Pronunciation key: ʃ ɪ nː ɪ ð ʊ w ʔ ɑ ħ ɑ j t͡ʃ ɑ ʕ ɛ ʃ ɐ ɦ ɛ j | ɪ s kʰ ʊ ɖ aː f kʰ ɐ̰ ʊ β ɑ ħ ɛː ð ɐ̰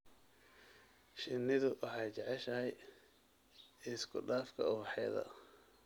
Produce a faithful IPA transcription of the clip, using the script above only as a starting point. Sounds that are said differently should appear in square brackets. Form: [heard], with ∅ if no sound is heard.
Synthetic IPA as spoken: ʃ ɪ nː ɪ ð ʊ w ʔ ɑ ħ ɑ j t͡ʃ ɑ ʕ ɛ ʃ ɐ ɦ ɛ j | ɪ s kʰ ʊ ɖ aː f kʰ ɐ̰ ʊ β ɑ ħ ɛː ð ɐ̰